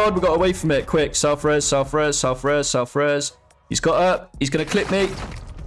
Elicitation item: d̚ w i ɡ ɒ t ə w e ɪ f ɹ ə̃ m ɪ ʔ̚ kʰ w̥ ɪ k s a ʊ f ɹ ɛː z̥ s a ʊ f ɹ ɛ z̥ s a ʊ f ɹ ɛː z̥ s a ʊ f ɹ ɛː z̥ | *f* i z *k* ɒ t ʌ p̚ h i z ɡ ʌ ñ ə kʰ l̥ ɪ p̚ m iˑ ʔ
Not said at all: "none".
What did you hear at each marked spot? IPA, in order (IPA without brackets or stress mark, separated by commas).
h, ɡ